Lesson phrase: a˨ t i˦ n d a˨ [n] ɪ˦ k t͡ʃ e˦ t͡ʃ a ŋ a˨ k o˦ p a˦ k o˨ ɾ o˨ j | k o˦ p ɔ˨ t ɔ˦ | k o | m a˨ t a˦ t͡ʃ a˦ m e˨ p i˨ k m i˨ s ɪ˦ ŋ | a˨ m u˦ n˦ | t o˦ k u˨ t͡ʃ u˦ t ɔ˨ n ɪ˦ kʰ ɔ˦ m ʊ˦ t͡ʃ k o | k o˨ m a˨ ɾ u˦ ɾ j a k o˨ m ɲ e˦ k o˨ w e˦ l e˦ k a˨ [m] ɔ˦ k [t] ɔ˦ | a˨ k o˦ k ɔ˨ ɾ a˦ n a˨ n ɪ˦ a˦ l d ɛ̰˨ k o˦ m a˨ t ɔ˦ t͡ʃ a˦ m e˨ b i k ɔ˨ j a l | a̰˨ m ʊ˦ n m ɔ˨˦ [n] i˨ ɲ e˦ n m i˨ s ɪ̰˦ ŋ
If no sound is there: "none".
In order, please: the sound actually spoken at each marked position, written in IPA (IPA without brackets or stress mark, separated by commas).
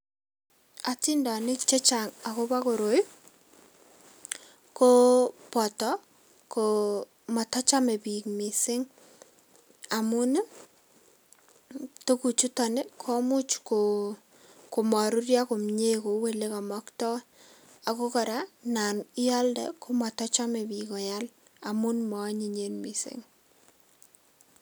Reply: n, m, t, ɲ